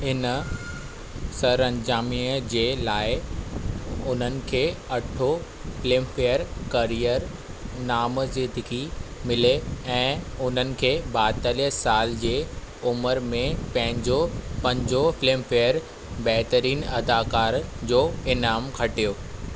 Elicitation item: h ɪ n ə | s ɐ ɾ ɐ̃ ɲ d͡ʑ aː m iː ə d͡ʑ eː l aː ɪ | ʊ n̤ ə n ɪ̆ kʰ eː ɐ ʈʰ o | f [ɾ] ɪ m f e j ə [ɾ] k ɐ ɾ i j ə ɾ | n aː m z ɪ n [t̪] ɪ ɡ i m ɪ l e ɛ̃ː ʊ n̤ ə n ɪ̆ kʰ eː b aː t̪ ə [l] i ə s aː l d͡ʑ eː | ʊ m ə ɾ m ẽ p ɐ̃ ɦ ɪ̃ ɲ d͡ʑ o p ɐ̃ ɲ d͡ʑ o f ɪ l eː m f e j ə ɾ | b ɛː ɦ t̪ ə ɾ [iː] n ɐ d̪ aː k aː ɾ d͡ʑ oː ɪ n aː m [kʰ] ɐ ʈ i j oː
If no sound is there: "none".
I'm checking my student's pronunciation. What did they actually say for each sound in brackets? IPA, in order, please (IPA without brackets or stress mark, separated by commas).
l, ɾ, d̪, l, iː, kʰ